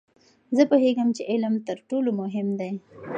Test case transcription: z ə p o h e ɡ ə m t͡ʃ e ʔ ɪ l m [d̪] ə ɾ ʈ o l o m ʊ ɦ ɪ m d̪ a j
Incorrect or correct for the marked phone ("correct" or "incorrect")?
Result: incorrect